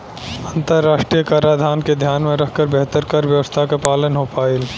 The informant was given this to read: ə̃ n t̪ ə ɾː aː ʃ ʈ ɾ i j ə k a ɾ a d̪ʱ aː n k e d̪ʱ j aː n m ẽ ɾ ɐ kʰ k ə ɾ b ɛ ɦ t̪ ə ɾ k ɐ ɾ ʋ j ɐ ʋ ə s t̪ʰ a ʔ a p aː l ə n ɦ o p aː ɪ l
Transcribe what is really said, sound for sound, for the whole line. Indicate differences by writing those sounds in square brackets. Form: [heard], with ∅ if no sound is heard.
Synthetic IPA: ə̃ n t̪ ə ɾː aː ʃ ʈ ɾ i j ə k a ɾ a d̪ʱ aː n k e d̪ʱ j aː n m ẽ ɾ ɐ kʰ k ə ɾ b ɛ ɦ t̪ ə ɾ k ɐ ɾ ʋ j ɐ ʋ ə s t̪ʰ a [k] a p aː l ə n ɦ o p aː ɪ l